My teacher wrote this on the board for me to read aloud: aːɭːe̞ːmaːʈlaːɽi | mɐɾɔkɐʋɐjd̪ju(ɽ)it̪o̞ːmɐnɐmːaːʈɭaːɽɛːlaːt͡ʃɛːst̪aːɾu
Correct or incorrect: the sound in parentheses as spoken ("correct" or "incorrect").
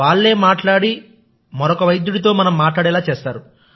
correct